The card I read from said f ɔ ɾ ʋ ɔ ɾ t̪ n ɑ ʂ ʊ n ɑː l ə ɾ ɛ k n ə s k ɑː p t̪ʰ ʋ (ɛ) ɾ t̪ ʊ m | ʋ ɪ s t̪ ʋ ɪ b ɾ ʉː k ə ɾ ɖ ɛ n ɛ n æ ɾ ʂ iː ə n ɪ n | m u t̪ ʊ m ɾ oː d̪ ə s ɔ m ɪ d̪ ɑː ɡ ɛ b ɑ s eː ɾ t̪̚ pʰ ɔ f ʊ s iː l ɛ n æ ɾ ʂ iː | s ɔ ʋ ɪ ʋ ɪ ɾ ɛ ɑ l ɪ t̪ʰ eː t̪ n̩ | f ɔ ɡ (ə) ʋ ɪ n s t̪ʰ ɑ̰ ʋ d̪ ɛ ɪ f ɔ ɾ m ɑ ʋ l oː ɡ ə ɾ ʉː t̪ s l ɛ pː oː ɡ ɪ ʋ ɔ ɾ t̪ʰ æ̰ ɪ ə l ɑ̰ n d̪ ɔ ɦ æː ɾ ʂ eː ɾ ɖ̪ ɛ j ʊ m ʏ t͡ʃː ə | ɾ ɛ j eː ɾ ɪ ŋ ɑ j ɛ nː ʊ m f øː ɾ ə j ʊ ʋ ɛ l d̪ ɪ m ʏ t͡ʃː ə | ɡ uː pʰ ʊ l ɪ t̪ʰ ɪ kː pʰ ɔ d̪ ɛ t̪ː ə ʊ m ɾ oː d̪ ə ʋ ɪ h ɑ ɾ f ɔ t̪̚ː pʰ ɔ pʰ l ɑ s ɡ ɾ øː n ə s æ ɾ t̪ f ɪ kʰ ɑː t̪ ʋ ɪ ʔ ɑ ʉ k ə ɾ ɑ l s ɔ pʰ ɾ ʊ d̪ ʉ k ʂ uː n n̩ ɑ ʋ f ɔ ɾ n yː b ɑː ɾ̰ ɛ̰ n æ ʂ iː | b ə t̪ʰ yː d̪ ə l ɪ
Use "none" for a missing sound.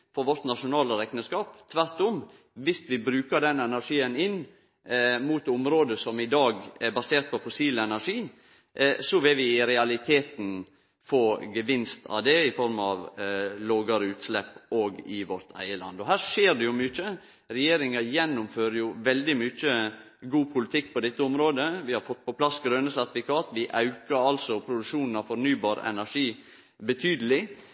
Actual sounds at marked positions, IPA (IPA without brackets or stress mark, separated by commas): æ, ə